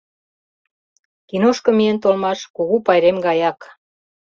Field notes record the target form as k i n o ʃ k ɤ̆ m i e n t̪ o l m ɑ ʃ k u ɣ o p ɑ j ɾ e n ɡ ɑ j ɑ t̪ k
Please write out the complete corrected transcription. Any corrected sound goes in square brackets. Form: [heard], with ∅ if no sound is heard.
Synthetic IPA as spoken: k i n o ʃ k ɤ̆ m i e n t̪ o l m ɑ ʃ k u ɣ [u] p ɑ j ɾ e [m] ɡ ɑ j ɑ [∅] k